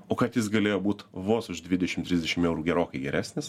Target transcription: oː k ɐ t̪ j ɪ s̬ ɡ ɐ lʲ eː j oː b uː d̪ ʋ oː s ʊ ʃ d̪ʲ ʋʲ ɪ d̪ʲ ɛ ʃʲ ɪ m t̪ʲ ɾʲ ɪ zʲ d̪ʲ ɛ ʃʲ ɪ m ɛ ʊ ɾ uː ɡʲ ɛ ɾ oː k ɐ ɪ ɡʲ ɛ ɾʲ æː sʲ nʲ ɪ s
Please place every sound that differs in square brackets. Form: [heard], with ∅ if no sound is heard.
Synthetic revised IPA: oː k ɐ t̪ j ɪ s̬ ɡ ɐ lʲ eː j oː b uː [t̪] ʋ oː s ʊ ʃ d̪ʲ ʋʲ ɪ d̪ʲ ɛ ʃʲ ɪ m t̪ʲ ɾʲ ɪ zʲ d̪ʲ ɛ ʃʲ ɪ m ɛ ʊ ɾ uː ɡʲ ɛ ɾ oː k ɐ ɪ ɡʲ ɛ ɾʲ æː sʲ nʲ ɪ s

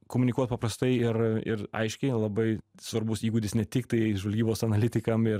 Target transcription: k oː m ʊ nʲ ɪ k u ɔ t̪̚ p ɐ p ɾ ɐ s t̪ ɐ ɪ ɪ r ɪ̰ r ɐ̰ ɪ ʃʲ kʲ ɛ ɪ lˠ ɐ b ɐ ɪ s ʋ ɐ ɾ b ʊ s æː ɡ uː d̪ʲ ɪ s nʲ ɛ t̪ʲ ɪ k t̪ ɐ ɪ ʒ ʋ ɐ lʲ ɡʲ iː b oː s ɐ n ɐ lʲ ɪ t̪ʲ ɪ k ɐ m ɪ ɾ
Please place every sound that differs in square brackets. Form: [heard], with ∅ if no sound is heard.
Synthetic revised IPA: k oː m ʊ nʲ ɪ k u ɔ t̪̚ p ɐ p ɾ ɐ s t̪ ɐ ɪ ɪ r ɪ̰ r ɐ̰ ɪ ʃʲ kʲ ɛ ɪ lˠ ɐ b ɐ ɪ s ʋ ɐ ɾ b ʊ s [iː] ɡ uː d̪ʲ ɪ s nʲ ɛ t̪ʲ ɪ k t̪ ɐ ɪ ʒ ʋ ɐ lʲ ɡʲ iː b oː s ɐ n ɐ lʲ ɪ t̪ʲ ɪ k ɐ m ɪ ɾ

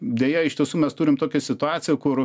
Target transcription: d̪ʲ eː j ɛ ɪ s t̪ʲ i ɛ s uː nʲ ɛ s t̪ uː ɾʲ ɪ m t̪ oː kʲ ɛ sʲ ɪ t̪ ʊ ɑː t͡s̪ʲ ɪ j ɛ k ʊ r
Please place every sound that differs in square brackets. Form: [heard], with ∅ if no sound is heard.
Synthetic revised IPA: d̪ʲ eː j ɛ ɪ [ʃ] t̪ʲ i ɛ s uː [mʲ] ɛ s t̪ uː ɾʲ ɪ m t̪ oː kʲ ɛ sʲ ɪ t̪ ʊ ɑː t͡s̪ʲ ɪ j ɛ k ʊ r

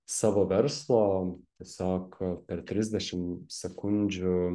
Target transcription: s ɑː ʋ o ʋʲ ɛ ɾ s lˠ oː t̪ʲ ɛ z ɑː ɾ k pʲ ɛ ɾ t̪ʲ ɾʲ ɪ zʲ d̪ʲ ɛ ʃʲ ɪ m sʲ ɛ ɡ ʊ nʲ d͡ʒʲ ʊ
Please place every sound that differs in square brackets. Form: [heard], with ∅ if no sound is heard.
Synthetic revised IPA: s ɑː ʋ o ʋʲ ɛ ɾ s lˠ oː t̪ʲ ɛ [s] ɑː [∅] k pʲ ɛ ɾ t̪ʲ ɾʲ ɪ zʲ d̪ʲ ɛ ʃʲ ɪ m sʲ ɛ [k] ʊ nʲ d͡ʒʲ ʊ

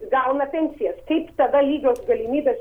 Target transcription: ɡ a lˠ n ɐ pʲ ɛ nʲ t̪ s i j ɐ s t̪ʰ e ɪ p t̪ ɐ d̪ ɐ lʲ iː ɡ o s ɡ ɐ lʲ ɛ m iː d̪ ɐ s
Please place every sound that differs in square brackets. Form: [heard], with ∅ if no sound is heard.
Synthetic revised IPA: ɡ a lˠ n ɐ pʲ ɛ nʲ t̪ s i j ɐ s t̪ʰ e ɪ p t̪ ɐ d̪ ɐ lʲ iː ɡ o s ɡ ɐ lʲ [i] m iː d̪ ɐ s

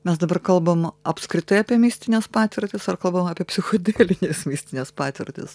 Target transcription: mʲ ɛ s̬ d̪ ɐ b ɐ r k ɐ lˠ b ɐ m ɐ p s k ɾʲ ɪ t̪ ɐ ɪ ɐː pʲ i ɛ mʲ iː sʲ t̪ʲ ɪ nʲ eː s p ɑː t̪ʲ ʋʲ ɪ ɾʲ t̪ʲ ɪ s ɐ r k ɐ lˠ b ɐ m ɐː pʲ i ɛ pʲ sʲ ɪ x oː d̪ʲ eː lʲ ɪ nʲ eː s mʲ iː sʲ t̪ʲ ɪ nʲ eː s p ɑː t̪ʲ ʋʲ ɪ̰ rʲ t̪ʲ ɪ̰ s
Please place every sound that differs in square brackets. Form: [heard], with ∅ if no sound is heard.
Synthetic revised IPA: mʲ ɛ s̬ d̪ ɐ b ɐ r k ɐ lˠ b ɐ m ɐ p s k ɾʲ ɪ t̪ ɐ ɪ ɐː pʲ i ɛ mʲ iː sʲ t̪ʲ ɪ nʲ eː s p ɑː t̪ʲ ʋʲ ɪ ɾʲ t̪ʲ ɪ s ɐ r k ɐ lˠ b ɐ m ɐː pʲ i ɛ pʲ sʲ ɪ x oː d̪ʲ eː lʲ ɪ nʲ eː s mʲ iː sʲ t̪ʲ ɪ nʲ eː s p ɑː t̪ʲ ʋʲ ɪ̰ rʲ t̪ʲ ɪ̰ s

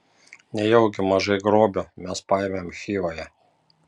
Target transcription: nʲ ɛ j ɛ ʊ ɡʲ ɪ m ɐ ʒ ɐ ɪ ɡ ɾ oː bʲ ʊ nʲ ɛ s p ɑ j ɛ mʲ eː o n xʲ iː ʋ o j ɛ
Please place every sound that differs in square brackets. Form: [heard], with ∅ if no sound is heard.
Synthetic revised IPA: nʲ ɛ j ɛ ʊ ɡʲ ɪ m ɐ ʒ ɐ ɪ ɡ ɾ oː bʲ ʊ [mʲ] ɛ s p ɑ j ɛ mʲ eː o [m] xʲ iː ʋ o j ɛ

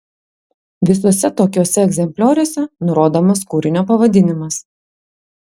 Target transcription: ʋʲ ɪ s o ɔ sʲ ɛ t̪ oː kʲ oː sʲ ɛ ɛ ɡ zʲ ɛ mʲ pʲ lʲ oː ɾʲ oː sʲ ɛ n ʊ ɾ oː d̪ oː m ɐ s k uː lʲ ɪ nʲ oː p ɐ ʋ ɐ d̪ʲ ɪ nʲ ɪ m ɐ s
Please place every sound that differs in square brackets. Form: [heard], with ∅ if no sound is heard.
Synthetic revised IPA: ʋʲ ɪ s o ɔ sʲ ɛ t̪ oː kʲ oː sʲ ɛ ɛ ɡ zʲ ɛ mʲ pʲ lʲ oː ɾʲ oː sʲ ɛ n ʊ ɾ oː d̪ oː m ɐ s k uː [ɾʲ] ɪ nʲ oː p ɐ ʋ ɐ d̪ʲ ɪ nʲ ɪ m ɐ s

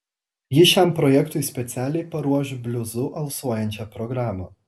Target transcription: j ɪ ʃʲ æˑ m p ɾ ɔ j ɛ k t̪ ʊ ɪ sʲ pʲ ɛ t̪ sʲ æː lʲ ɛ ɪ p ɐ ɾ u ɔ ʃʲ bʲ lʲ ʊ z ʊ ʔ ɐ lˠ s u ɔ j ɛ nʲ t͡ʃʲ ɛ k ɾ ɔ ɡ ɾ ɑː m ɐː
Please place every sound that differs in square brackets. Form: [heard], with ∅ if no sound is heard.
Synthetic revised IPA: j ɪ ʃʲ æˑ m p ɾ ɔ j ɛ k t̪ ʊ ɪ sʲ pʲ ɛ t̪ sʲ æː lʲ ɛ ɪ p ɐ ɾ u ɔ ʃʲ bʲ lʲ ʊ z ʊ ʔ ɐ lˠ s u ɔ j ɛ nʲ t͡ʃʲ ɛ [p] ɾ ɔ ɡ ɾ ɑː m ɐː

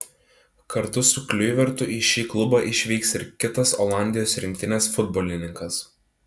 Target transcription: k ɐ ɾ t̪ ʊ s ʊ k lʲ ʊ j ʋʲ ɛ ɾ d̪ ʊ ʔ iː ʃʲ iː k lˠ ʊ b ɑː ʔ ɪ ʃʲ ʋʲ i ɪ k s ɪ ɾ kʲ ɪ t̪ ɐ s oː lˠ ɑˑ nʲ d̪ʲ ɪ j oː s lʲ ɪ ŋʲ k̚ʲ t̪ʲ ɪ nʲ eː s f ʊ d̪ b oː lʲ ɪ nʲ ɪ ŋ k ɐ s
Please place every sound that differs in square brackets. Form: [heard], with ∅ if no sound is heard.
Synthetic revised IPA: k ɐ ɾ t̪ ʊ s ʊ k lʲ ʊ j ʋʲ ɛ ɾ [t̪] ʊ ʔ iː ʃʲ iː k lˠ ʊ b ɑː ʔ ɪ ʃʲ ʋʲ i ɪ k s ɪ ɾ kʲ ɪ t̪ ɐ s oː lˠ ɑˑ nʲ d̪ʲ ɪ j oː s [ɾʲ] ɪ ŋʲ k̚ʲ t̪ʲ ɪ nʲ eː s f ʊ d̪ b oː lʲ ɪ nʲ ɪ ŋ k ɐ s

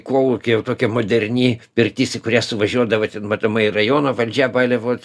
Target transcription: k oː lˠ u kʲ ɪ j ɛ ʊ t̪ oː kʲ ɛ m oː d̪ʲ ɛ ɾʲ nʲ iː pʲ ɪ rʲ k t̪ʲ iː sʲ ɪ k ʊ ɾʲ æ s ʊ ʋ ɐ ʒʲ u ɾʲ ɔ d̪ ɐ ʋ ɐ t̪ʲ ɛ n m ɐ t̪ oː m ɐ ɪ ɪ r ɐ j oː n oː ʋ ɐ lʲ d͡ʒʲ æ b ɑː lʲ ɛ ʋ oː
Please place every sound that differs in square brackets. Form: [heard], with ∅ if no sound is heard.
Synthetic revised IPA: k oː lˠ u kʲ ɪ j ɛ ʊ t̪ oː kʲ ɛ m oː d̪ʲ ɛ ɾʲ nʲ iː pʲ ɪ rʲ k t̪ʲ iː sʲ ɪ k ʊ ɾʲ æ s ʊ ʋ ɐ ʒʲ u [∅] ɔ d̪ ɐ ʋ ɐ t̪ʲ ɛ n m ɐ t̪ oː m ɐ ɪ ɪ r ɐ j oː n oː ʋ ɐ lʲ d͡ʒʲ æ b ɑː lʲ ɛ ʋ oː

